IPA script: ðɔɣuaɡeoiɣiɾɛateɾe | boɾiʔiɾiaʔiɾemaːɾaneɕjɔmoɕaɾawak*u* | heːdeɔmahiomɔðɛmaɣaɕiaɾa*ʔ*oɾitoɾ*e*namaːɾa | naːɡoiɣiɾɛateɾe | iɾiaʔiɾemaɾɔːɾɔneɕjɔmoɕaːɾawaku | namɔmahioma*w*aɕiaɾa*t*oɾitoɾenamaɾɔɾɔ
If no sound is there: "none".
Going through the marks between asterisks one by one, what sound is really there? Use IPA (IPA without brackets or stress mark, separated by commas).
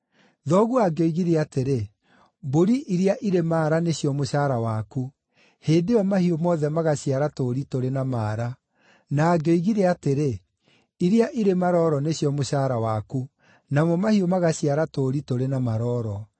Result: u, t, e, ɣ, t